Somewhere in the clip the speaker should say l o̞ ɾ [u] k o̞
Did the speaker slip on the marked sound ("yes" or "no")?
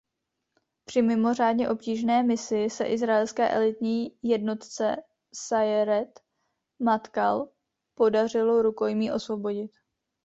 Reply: no